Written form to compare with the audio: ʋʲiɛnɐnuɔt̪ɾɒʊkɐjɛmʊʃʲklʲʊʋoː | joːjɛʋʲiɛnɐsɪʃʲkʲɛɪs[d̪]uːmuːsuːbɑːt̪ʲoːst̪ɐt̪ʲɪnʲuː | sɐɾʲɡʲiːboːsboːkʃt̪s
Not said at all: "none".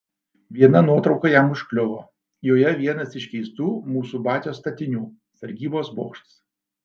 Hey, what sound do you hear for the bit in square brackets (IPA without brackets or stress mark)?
t̪